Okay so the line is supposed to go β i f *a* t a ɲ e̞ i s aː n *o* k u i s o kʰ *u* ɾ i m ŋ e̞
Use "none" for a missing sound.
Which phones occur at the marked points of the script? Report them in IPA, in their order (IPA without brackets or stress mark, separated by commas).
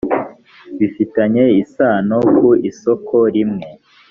i, o, o